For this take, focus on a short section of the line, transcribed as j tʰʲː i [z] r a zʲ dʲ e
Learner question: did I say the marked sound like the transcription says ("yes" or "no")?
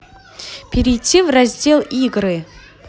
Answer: no